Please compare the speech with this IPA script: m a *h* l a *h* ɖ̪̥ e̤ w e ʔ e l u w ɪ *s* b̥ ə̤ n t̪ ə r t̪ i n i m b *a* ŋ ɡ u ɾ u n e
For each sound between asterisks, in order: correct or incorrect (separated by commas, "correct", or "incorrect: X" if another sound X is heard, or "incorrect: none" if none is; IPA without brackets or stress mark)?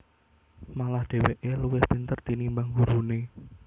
incorrect: none, correct, incorrect: h, correct